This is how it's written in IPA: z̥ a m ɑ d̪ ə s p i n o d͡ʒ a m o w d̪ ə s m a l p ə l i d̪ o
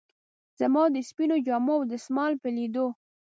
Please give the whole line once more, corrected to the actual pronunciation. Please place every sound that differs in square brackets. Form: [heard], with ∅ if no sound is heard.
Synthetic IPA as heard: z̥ a m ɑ d̪ ə s p i n o d͡ʒ [ɑ] m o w d̪ ə s m [ɑ] l p ə l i d̪ o